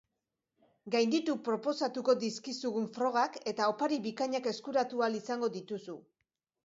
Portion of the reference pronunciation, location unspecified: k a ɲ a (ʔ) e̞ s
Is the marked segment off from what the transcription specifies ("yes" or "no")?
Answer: yes